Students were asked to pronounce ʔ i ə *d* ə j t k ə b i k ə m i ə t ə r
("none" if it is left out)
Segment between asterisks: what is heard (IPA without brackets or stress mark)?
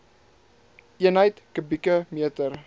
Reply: n